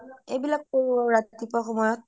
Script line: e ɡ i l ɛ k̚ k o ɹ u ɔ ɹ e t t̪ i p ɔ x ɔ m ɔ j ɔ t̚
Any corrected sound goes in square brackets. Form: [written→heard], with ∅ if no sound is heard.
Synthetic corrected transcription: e [ɡ→b] i l [ɛ→a] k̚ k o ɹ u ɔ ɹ [e→a] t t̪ i p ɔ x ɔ m ɔ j ɔ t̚